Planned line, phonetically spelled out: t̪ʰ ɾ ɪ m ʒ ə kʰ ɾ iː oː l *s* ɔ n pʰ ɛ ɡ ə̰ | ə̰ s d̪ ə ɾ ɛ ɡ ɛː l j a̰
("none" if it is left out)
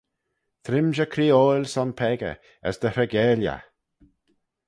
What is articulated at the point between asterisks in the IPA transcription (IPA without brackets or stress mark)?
s